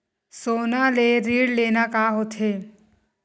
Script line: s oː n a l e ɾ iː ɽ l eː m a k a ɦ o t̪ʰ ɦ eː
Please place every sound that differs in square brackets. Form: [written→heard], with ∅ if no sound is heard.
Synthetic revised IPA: s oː n a l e ɾ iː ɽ l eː [m→n] a k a ɦ o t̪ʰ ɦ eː